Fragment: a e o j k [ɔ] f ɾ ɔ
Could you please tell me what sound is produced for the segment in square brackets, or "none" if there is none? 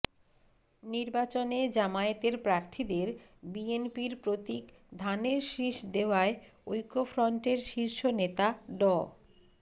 o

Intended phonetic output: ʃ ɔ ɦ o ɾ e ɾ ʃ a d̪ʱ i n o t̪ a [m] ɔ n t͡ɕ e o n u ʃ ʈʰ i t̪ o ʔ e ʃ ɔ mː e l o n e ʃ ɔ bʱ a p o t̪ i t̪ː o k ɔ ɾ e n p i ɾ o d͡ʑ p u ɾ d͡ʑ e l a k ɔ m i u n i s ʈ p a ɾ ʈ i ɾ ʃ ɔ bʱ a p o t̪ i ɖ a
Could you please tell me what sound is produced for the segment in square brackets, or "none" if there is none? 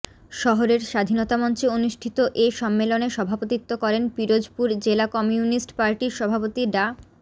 m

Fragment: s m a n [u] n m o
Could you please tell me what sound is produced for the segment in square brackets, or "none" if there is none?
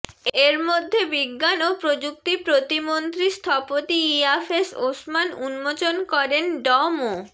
u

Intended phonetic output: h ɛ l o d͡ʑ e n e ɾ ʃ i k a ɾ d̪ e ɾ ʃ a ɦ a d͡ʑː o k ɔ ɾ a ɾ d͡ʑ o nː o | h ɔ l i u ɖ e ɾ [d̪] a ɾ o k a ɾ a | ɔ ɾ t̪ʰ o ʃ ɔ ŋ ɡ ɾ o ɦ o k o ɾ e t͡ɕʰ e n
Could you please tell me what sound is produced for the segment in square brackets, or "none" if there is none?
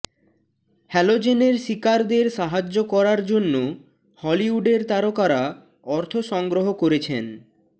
t̪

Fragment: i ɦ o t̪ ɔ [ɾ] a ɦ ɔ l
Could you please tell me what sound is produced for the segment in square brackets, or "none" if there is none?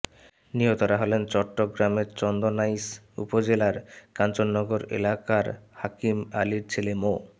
ɾ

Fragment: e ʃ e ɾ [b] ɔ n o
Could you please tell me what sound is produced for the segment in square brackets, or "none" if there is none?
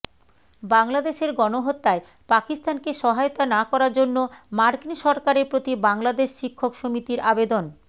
ɡ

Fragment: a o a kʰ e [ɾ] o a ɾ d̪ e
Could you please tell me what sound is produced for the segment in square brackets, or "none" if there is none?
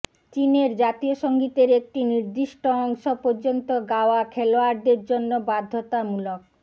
l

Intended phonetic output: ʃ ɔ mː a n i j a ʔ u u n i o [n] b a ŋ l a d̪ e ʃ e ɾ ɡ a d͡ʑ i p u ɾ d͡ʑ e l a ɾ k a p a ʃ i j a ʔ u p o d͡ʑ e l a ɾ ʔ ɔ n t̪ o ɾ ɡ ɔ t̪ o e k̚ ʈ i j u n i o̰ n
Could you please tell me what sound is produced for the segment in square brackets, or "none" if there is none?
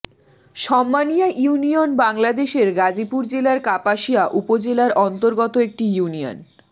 n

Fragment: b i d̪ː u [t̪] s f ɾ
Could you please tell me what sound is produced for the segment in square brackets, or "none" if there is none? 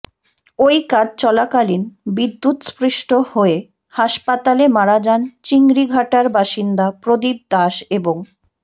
t̪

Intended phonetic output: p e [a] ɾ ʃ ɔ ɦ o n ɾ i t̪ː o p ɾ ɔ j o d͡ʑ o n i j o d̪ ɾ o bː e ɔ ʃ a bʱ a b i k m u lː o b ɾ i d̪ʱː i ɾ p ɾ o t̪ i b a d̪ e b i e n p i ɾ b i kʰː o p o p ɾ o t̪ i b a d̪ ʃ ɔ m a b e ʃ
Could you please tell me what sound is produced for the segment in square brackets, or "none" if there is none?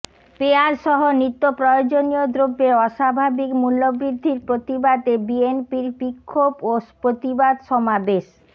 a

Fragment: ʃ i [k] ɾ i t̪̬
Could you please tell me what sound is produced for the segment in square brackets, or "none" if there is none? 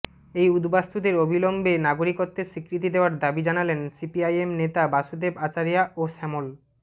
k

